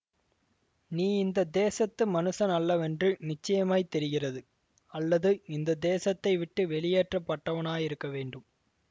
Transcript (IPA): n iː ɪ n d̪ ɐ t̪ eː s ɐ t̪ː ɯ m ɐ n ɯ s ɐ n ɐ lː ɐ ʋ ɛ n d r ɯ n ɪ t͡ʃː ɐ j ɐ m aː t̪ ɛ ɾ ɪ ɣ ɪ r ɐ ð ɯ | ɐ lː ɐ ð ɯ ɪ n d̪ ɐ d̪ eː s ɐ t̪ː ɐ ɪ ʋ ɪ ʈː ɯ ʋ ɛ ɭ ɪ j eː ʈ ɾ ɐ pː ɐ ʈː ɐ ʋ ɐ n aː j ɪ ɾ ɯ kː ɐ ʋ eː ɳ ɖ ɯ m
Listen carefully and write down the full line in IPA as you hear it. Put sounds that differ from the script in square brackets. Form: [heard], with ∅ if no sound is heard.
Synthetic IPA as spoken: n iː ɪ n d̪ ɐ [d̪] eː s ɐ t̪ː ɯ m ɐ n ɯ s ɐ n ɐ lː ɐ ʋ ɛ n d r ɯ n ɪ t͡ʃː ɐ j ɐ m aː t̪ ɛ ɾ ɪ ɣ ɪ r ɐ ð ɯ | ɐ lː ɐ ð ɯ ɪ n d̪ ɐ d̪ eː s ɐ t̪ː ɐ ɪ ʋ ɪ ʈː ɯ ʋ ɛ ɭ ɪ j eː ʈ [r] ɐ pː ɐ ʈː ɐ ʋ ɐ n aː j ɪ ɾ ɯ kː ɐ ʋ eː ɳ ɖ ɯ m